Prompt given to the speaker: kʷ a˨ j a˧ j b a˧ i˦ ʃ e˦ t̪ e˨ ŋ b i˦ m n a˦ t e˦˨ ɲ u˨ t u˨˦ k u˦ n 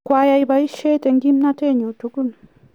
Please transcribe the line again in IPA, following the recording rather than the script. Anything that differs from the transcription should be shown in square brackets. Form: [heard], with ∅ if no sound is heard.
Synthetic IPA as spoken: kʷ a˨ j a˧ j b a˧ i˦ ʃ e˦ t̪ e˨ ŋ [ɡ] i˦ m n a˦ t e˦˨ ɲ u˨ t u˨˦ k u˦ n